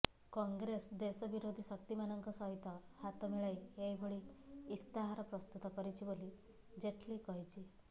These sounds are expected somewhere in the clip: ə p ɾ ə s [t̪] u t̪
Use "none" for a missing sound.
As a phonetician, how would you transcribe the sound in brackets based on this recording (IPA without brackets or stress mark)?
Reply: t̪